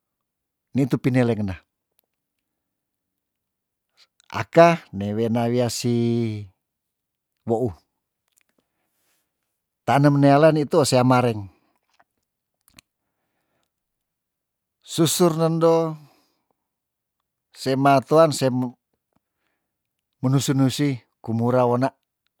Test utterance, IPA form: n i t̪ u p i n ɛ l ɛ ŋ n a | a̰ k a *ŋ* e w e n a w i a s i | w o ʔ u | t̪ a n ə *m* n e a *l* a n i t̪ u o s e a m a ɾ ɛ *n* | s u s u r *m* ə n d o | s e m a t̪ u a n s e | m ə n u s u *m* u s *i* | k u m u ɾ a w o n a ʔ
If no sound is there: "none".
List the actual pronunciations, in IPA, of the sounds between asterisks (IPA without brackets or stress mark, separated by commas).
n, m, l, ŋ, n, n, i